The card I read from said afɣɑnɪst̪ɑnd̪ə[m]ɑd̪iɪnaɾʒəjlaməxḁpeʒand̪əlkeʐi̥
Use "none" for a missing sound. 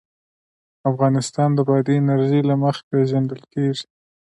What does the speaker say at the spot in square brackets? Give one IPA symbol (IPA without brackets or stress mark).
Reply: b